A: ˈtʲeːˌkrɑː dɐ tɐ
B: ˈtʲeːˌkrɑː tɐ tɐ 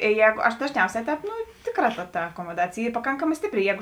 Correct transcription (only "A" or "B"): B